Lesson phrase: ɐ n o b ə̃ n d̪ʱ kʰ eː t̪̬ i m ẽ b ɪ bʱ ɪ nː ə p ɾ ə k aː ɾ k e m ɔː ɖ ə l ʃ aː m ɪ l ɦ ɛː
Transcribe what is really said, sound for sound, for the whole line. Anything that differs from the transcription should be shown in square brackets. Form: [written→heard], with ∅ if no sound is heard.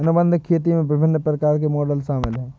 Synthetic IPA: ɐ n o b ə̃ n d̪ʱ kʰ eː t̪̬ i m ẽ b ɪ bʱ ɪ nː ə p ɾ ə k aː ɾ k e m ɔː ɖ ə l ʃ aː m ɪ l ɦ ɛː